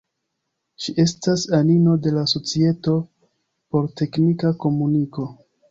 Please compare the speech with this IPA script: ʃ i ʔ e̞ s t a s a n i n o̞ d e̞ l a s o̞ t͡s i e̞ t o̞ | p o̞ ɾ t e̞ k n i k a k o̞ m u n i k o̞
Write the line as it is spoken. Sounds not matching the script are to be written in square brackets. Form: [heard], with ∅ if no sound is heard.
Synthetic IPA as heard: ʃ i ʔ e̞ s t a s a n i n o̞ d e̞ l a s o̞ t͡s i e̞ t o̞ | p o̞ ɾ t e̞ k n i k a k o̞ m u n i k o̞